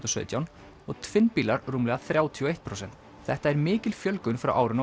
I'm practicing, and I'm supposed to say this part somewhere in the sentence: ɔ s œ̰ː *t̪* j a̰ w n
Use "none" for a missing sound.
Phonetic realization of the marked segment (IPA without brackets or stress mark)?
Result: t̪